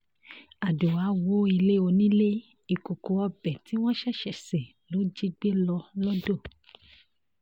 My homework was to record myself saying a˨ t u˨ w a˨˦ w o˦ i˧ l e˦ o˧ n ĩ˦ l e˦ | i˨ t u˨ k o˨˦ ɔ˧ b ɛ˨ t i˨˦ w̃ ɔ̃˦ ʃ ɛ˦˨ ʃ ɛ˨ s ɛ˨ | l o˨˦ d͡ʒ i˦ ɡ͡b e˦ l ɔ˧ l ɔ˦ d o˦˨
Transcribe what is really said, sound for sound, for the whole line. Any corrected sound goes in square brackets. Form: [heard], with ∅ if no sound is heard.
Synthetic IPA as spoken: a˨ [d] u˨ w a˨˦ w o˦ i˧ l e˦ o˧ n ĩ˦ l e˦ | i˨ [k] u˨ k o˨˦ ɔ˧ b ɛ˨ t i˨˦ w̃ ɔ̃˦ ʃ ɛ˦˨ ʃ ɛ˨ s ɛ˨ | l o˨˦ d͡ʒ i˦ ɡ͡b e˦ l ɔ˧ l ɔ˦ d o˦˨